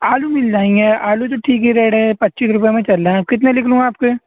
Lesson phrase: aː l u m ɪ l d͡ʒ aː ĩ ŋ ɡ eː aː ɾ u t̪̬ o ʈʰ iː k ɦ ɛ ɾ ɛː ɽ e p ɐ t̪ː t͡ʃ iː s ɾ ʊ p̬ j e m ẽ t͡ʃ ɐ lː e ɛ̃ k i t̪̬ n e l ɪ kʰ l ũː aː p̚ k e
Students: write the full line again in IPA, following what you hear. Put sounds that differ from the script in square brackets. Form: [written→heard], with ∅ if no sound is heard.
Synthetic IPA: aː l u m ɪ l d͡ʒ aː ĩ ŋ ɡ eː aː [ɾ→l] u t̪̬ o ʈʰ iː k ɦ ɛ ɾ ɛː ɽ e p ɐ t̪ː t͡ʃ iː s ɾ ʊ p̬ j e m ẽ t͡ʃ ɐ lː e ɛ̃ k [i→ɪ] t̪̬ n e l ɪ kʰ l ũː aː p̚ k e